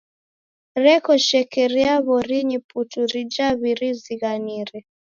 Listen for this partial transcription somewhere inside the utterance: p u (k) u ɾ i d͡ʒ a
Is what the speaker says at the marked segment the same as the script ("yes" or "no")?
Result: no